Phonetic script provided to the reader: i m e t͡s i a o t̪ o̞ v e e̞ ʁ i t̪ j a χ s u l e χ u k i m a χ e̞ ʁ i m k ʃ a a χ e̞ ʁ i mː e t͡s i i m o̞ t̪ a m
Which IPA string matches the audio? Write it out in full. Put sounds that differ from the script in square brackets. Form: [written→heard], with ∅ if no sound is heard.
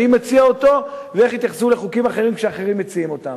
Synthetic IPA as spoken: i m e t͡s i a o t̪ o̞ v e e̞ [ʁ→χ] i t̪ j a χ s u l e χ u k i m a χ e̞ ʁ i m k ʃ [a→e] a χ e̞ ʁ i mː e t͡s i i m o̞ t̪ a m